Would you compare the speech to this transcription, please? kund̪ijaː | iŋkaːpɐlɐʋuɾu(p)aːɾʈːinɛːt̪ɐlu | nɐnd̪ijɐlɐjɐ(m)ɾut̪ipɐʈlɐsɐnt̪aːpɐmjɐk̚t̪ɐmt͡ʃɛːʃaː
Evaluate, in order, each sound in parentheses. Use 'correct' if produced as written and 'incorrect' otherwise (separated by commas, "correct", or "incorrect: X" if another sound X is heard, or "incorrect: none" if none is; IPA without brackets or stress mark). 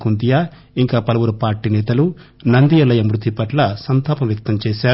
correct, correct